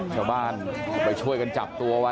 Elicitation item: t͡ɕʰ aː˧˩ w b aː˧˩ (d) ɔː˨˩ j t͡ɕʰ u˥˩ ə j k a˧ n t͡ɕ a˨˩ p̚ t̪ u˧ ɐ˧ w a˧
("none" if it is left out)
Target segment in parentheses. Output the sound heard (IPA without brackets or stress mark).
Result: n